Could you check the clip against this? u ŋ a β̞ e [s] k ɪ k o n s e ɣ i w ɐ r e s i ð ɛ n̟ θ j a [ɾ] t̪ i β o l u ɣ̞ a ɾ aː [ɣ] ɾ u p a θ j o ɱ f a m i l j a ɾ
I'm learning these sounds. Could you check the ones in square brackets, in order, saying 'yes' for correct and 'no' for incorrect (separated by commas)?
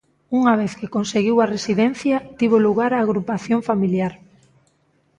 no, no, yes